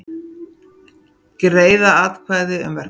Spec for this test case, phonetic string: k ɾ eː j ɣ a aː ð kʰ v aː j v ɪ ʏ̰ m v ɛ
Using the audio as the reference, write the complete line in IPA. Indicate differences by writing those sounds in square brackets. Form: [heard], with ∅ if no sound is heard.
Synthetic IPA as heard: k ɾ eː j [ð] a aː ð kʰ v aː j [ð] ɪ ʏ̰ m v ɛ